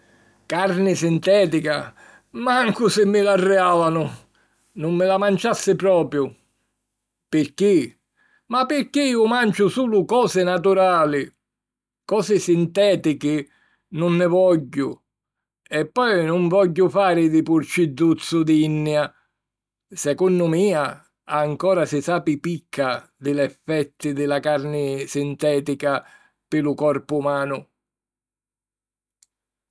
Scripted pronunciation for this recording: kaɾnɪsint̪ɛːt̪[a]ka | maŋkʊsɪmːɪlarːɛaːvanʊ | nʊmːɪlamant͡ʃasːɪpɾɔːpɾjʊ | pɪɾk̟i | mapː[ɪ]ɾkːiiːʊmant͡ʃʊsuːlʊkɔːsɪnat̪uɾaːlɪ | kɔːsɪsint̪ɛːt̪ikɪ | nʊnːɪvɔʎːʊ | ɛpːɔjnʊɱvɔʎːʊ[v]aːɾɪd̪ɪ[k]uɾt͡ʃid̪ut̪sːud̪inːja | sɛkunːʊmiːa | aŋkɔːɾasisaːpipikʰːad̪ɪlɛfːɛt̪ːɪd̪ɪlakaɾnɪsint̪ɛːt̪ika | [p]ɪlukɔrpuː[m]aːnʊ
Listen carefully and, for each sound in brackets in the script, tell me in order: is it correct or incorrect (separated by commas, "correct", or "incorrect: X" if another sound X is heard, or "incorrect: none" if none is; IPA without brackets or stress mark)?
incorrect: i, correct, incorrect: f, incorrect: p, correct, correct